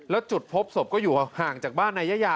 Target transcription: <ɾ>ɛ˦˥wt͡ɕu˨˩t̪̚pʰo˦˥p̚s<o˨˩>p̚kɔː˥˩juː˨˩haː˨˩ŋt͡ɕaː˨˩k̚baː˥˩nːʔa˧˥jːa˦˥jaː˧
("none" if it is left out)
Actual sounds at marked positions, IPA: l, o˨˩

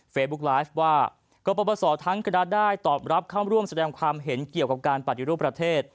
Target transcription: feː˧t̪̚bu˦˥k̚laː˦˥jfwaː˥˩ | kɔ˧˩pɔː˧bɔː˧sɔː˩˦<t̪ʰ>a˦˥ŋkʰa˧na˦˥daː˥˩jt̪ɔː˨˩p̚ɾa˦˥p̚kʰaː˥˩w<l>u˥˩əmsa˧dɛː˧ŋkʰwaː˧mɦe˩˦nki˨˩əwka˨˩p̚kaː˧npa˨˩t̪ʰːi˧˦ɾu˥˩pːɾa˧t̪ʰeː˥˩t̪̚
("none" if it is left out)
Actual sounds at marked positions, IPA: t̪ʰ, ɾ

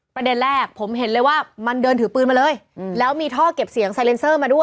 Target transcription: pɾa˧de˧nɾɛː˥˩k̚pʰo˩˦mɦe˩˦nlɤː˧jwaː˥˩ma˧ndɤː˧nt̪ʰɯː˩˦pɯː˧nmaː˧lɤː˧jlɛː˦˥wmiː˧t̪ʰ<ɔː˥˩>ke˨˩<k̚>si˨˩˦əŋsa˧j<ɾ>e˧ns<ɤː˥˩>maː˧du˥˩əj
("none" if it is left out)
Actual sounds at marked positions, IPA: ɔː˥˩, p̚, l, ɤː˥˩

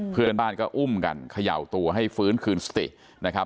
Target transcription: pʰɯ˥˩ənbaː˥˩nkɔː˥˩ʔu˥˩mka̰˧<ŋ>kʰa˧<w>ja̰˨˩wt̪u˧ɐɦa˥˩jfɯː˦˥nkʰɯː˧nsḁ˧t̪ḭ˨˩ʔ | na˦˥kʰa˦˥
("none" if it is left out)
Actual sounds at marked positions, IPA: n, none

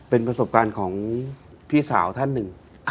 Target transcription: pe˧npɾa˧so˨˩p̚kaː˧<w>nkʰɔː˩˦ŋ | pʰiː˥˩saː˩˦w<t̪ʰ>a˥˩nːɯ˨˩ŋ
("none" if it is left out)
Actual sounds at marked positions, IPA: none, t̪ʰ

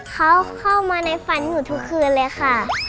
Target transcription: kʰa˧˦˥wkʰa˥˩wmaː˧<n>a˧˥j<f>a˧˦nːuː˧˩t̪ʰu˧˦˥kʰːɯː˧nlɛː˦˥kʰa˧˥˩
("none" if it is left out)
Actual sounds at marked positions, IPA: n, f

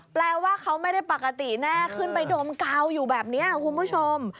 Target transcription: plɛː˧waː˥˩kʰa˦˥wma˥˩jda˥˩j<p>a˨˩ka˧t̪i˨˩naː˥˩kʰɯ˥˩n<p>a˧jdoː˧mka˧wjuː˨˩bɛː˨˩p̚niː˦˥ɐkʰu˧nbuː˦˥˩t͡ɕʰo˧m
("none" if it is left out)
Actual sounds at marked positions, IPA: p, p

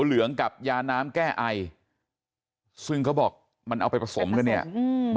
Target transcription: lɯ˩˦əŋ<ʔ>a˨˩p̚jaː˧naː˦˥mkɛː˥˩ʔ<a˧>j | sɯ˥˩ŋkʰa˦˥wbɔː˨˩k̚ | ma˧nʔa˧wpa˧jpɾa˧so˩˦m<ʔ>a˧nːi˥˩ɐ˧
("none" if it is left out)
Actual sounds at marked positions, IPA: k, a˧, k

